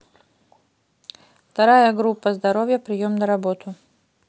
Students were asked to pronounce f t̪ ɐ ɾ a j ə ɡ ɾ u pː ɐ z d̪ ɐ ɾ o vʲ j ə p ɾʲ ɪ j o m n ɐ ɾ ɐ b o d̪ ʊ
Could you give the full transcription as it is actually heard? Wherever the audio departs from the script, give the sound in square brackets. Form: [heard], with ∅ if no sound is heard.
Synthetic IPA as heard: f t̪ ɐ ɾ a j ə ɡ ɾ u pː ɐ z d̪ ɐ ɾ o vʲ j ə p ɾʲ ɪ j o m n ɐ ɾ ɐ b o [t̪] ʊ